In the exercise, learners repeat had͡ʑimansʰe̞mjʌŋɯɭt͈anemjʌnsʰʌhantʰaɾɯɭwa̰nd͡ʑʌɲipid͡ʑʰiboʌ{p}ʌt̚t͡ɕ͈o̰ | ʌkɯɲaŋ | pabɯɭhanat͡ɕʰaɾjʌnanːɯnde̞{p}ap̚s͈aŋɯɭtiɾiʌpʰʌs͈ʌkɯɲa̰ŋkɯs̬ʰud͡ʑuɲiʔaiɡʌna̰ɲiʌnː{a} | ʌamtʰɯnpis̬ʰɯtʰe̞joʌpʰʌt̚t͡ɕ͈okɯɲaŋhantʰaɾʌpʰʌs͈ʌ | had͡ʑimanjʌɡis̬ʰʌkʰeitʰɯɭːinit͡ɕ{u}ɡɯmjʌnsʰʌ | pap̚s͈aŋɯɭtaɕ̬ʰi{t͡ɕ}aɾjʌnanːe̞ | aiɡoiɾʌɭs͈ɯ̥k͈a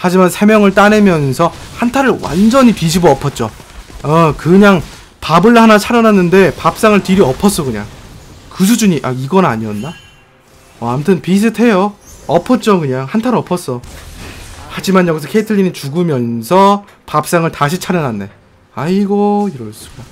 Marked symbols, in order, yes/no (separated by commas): no, yes, yes, yes, no